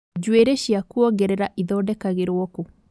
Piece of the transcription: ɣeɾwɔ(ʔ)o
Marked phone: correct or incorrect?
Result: incorrect